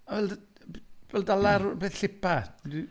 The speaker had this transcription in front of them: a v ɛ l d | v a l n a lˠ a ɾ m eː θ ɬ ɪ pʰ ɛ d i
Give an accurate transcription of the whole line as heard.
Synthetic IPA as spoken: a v ɛ l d | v ɛ l d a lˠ a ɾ b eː θ ɬ ɪ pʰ a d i